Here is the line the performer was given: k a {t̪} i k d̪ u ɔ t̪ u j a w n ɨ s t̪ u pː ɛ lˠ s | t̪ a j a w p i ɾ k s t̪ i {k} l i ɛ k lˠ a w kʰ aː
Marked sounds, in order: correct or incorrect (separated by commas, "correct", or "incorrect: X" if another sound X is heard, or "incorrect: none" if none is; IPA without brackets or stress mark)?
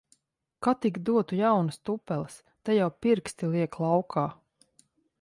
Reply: correct, incorrect: none